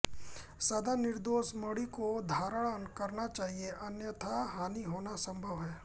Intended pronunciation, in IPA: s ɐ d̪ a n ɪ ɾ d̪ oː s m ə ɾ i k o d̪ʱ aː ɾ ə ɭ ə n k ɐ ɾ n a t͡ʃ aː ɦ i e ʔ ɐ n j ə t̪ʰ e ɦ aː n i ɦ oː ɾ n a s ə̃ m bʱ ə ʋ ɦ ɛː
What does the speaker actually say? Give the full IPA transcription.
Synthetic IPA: s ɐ d̪ a n ɪ ɾ d̪ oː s m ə ɽ i k o d̪ʱ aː ɾ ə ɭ ə n k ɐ ɾ n a t͡ʃ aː ɦ i e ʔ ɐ n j ə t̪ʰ a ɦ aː n i ɦ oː n a s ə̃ m bʱ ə ʋ ɦ ɛː